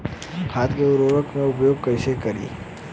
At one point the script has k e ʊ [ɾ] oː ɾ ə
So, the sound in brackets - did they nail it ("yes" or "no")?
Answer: yes